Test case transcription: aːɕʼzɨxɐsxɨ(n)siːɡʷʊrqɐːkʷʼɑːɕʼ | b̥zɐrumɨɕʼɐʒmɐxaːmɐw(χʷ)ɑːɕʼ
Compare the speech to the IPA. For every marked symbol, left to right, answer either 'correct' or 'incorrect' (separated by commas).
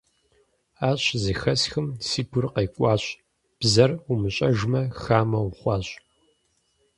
incorrect, correct